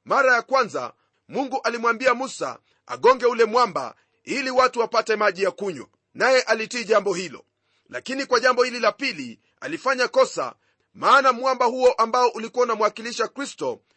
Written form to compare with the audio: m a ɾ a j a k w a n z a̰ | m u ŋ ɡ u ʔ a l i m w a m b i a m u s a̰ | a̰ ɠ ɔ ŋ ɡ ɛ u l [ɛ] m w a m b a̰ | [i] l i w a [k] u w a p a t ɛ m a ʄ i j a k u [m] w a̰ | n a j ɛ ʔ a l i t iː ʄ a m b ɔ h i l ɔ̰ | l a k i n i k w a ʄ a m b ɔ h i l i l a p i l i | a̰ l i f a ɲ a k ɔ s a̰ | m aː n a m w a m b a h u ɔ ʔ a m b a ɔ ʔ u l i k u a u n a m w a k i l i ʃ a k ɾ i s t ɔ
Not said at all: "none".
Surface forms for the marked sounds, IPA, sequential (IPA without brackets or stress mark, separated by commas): ɛ, i, t, ɲ